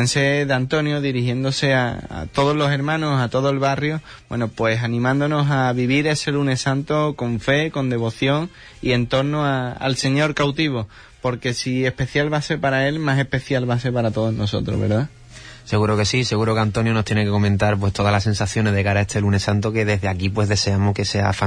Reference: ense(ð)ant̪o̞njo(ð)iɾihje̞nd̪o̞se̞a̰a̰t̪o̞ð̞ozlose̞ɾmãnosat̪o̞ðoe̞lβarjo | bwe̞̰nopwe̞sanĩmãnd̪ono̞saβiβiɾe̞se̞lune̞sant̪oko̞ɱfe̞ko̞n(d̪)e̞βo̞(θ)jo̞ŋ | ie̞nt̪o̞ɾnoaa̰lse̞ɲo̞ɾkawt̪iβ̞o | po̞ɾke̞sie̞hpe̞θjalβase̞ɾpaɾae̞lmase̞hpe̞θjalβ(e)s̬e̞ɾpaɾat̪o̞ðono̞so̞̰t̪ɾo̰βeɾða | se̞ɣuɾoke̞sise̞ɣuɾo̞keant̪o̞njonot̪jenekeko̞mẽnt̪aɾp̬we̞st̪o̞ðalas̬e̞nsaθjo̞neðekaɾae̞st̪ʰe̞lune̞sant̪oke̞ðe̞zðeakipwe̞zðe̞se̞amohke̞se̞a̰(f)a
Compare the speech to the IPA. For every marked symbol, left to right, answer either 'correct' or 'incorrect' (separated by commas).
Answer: correct, correct, correct, correct, incorrect, correct